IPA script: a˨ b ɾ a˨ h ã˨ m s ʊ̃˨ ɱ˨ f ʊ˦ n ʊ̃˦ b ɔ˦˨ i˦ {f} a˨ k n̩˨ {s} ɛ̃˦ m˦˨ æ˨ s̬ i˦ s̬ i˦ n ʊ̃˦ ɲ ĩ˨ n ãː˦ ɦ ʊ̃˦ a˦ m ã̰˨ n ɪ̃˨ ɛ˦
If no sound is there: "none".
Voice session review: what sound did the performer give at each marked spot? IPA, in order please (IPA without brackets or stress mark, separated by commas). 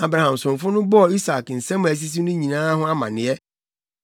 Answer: s, s